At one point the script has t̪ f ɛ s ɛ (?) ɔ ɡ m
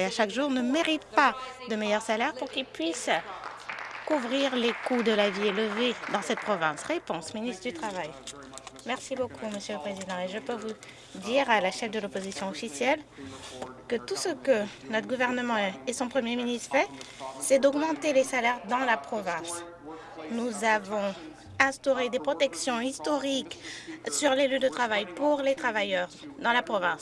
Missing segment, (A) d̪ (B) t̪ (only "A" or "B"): A